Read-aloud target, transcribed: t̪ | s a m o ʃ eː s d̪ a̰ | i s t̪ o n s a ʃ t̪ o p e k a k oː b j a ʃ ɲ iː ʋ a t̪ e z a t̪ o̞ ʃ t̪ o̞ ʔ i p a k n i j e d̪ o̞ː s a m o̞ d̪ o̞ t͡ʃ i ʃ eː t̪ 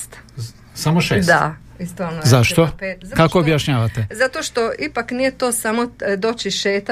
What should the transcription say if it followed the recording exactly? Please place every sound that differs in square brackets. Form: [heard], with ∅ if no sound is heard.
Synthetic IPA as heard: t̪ | s a m o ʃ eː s d̪ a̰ | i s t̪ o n [z] a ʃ t̪ o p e k a k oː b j a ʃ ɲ [aː] ʋ a t̪ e z a t̪ o̞ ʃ t̪ o̞ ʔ i p a k n i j e [t̪] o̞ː s a m o̞ d̪ o̞ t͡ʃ i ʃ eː t̪